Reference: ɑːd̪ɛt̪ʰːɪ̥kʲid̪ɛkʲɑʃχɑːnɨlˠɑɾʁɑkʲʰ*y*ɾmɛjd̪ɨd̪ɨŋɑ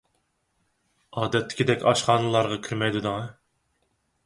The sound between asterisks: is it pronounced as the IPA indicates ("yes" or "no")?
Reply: yes